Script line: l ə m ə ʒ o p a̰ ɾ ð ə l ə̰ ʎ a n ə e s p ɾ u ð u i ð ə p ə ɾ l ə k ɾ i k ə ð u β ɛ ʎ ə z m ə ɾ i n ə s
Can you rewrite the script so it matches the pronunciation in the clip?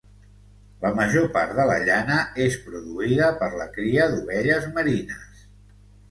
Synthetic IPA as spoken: l ə m ə ʒ o p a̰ ɾ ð ə l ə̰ ʎ a n ə e s p ɾ u ð u i ð ə p ə ɾ l ə k ɾ i ə ð u β ɛ ʎ ə z m ə ɾ i n ə s